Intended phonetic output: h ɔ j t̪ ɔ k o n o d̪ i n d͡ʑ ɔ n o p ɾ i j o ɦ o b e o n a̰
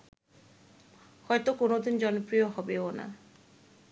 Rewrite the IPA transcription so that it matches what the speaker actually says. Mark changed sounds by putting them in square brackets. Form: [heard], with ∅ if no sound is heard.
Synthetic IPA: h ɔ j t̪ [o] k o n o d̪ i n d͡ʑ ɔ n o p ɾ i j o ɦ [ɔ] b e o n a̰